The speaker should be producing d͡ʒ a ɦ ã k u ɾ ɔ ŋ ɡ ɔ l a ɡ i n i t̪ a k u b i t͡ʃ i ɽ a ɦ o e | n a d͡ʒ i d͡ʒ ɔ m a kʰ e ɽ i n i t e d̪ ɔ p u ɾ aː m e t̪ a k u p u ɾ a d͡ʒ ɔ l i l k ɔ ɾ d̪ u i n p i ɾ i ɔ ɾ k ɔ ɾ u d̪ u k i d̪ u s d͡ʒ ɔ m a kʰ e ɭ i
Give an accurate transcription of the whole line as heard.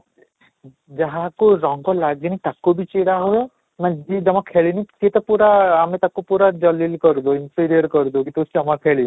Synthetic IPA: d͡ʒ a ɦ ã k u ɾ ɔ ŋ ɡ ɔ l a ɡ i n i t̪ a k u b i t͡ʃ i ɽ a ɦ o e | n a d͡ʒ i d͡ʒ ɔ m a kʰ e ɭ i n i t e t̪ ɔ p u ɾ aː m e t̪ a k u p u ɾ a d͡ʒ ɔ l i l k ɔ ɾ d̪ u i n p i ɾ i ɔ ɾ k ɔ ɾ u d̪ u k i t̪ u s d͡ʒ ɔ m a kʰ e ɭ i